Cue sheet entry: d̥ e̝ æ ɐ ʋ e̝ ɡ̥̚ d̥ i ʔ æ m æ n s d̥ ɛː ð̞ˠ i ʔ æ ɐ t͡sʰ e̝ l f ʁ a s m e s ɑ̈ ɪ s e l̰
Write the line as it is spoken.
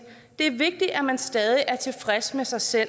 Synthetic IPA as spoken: d̥ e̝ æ ɐ ʋ e̝ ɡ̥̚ d̥ i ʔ æ m æ n s d̥ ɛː ð̞ˠ i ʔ æ ɐ t͡sʰ e̝ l f ʁ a s m e s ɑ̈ ɪ s e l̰